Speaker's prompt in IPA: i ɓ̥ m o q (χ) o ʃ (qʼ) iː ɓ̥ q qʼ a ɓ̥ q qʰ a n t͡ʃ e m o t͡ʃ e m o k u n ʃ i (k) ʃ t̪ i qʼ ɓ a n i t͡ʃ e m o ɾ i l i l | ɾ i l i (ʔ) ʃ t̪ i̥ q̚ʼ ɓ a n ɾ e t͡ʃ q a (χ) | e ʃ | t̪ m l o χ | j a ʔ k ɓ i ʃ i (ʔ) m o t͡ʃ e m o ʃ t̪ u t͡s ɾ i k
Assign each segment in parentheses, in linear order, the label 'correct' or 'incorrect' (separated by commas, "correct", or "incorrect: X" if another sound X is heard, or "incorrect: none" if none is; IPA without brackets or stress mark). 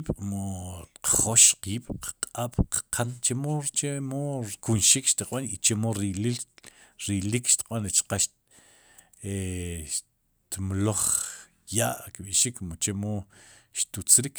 correct, incorrect: q, correct, incorrect: k, incorrect: ʃ, incorrect: k